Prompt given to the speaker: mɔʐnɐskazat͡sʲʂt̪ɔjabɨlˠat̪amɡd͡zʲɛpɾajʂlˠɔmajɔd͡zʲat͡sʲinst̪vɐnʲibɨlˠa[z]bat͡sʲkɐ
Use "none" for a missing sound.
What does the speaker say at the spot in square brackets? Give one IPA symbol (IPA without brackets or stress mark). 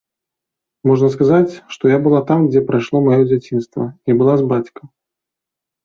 z